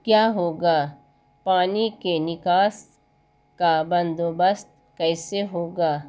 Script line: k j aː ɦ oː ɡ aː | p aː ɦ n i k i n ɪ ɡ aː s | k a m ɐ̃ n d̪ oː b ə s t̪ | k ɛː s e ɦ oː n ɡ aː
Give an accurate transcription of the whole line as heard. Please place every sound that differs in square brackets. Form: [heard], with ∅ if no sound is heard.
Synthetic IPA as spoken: k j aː ɦ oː ɡ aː | p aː [∅] n i k [e] n ɪ [k] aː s | k a [b] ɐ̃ n d̪ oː b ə s t̪ | k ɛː s e ɦ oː [∅] ɡ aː